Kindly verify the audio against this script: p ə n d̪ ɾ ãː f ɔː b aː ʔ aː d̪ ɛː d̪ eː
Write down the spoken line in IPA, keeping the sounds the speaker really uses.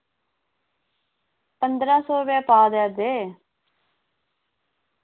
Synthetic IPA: p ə n d̪ ɾ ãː s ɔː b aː p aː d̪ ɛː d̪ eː